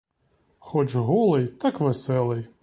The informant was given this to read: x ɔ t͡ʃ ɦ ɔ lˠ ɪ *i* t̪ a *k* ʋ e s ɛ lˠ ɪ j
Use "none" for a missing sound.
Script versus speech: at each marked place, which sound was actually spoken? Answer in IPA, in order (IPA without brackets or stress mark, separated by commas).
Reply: j, k